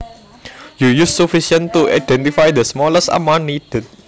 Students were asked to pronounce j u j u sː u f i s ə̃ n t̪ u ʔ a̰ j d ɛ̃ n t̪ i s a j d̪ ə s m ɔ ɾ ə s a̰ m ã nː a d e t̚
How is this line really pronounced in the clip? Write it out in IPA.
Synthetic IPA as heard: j u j u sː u f i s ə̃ n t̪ u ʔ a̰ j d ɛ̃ n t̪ i f a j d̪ ə s m ɔ l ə s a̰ m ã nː i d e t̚